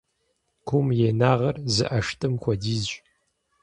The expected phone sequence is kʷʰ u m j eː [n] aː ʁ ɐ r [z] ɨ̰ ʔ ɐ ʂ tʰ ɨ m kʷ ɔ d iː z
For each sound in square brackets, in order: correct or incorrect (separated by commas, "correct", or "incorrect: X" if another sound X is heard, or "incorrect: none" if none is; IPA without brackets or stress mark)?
correct, correct